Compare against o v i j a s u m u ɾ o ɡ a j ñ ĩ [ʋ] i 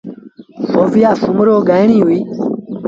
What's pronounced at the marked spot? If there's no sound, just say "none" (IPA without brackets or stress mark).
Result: w